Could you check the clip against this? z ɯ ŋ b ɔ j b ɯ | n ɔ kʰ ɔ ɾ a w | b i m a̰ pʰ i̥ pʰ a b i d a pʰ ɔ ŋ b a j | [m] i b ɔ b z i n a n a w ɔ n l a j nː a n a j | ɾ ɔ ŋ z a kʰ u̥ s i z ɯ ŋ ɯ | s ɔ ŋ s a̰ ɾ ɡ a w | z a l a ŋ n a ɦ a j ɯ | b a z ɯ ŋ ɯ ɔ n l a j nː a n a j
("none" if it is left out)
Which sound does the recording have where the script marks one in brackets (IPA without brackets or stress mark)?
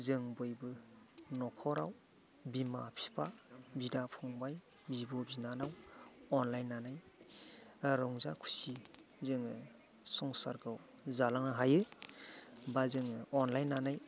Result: b